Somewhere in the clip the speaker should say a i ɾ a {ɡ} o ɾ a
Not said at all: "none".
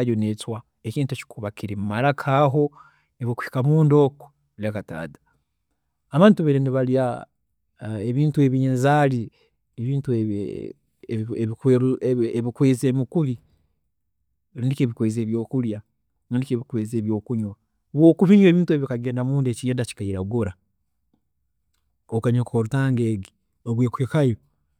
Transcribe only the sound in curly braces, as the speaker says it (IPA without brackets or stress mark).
ɡ